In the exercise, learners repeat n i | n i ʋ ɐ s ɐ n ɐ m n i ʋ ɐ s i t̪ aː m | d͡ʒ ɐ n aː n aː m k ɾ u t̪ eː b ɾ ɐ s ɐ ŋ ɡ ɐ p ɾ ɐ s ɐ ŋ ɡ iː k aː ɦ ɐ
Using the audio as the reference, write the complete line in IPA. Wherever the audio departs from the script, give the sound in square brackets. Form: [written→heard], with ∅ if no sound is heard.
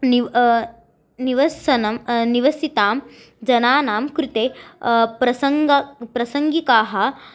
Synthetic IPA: n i | n i ʋ ɐ s ɐ n ɐ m n i ʋ ɐ s i t̪ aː m | d͡ʒ ɐ n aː n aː m k ɾ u t̪ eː [b→p] ɾ ɐ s ɐ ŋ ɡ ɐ p ɾ ɐ s ɐ ŋ ɡ [iː→i] k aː ɦ ɐ